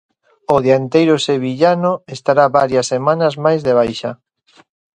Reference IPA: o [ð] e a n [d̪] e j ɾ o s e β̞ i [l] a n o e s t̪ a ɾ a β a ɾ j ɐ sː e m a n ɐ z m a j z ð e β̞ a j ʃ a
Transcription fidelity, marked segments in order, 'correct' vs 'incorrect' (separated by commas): correct, incorrect, incorrect